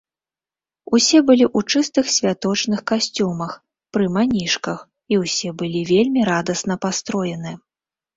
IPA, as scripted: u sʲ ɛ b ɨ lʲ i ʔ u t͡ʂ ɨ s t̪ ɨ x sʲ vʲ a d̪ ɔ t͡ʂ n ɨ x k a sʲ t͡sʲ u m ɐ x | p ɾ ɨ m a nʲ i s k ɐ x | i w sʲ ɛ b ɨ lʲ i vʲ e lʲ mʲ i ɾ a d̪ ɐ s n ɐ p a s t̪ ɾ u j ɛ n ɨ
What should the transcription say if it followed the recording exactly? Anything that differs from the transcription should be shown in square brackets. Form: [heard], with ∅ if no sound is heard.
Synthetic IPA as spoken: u sʲ ɛ b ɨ lʲ i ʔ u t͡ʂ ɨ s t̪ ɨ x sʲ vʲ a [t̪] ɔ t͡ʂ n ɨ x k a sʲ t͡sʲ u m ɐ x | p ɾ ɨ m a nʲ i [ʂ] k ɐ x | i w sʲ ɛ b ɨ lʲ i vʲ e lʲ mʲ i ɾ a d̪ ɐ s n ɐ p a s t̪ ɾ [ɔ] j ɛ n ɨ